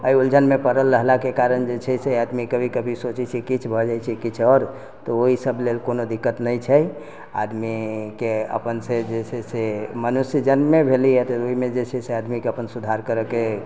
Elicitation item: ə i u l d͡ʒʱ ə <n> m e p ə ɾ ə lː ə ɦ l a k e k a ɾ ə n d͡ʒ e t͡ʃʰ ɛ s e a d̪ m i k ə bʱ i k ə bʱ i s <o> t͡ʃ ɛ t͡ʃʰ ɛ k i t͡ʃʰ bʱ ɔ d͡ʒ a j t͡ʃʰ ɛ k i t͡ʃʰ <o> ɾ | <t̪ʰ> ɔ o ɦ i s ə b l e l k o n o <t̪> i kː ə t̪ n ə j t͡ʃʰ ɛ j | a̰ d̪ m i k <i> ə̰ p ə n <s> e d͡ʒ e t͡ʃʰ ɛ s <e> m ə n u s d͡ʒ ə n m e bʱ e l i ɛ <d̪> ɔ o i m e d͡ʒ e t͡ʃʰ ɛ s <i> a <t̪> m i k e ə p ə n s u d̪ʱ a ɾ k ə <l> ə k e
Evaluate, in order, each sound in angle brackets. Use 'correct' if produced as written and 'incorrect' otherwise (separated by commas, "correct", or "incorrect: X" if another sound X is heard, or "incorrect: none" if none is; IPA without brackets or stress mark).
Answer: correct, correct, incorrect: ɔ, incorrect: t̪, incorrect: d̪, incorrect: e, correct, correct, incorrect: t̪, incorrect: e, incorrect: d̪, incorrect: ɾ